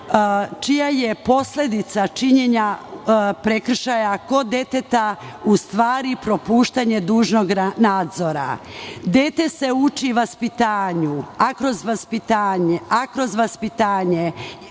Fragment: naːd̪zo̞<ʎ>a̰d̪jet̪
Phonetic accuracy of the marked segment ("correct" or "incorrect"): incorrect